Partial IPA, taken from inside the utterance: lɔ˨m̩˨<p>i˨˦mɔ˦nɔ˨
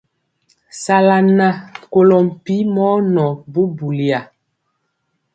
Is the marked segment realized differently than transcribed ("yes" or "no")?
no